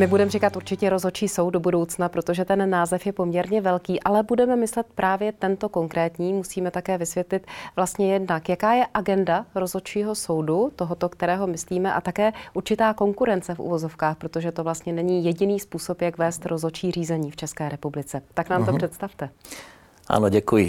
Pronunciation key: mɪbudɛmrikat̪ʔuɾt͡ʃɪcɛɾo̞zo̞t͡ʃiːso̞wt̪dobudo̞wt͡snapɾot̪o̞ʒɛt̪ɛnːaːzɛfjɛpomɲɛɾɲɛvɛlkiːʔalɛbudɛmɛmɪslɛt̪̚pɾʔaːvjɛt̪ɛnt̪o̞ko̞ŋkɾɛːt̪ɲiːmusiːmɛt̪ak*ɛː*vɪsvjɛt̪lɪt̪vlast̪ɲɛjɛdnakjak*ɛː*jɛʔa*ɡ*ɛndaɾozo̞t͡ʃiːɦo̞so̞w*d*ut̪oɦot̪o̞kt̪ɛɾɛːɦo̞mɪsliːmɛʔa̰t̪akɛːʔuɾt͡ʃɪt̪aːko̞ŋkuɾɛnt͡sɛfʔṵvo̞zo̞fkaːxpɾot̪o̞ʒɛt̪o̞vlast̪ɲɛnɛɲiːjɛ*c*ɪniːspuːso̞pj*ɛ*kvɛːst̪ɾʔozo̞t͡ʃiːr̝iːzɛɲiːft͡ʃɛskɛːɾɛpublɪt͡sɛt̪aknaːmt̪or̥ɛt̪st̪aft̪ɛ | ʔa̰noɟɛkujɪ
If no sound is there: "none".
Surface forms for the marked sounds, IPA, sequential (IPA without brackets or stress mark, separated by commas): ɛː, aː, ɡ, d, ɟ, a